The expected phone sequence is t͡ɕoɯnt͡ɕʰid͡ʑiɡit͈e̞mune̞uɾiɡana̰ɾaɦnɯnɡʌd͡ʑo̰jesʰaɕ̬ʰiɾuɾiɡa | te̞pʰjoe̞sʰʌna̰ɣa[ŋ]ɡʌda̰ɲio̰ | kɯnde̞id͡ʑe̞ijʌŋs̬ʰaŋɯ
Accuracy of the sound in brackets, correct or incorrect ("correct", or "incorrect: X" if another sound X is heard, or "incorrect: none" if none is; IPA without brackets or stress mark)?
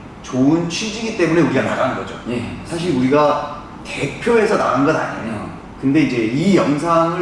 incorrect: n